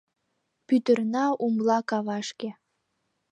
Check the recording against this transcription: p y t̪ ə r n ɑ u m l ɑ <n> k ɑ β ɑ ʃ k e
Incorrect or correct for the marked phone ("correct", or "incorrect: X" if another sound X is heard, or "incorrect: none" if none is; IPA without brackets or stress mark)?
incorrect: none